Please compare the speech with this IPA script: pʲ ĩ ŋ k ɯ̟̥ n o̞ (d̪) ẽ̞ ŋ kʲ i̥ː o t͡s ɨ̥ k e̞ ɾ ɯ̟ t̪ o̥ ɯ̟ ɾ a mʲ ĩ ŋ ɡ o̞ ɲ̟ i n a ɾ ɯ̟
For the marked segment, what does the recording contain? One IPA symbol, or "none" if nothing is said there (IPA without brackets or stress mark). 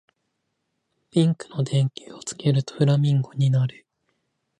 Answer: d̪